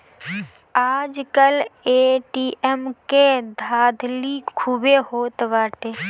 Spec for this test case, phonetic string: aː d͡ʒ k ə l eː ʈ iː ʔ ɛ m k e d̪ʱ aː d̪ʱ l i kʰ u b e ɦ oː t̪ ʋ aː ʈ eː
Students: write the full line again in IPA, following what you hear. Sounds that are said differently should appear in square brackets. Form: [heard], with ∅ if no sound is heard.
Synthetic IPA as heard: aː d͡ʒ k ə l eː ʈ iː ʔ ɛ m k e d̪ʱ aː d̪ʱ l i kʰ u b e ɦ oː t̪ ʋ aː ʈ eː